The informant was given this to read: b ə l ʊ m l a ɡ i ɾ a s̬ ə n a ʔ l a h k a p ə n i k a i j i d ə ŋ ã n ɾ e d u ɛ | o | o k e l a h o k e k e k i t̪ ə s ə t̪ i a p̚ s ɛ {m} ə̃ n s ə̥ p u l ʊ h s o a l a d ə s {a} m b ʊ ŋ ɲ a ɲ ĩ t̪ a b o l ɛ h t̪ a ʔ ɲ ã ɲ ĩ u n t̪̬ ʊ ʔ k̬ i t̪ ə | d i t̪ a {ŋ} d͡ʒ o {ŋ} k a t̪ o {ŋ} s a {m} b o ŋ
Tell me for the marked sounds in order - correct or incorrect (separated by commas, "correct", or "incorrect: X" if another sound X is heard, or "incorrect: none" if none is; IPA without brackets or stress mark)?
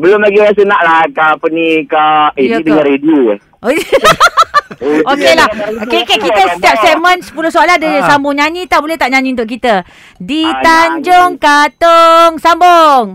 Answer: correct, correct, incorrect: ɲ, correct, correct, correct